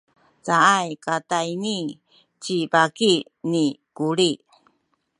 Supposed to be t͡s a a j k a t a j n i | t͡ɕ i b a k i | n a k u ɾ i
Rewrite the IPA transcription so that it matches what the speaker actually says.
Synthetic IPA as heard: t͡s a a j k a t a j n i | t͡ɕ i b a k i | n i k u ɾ i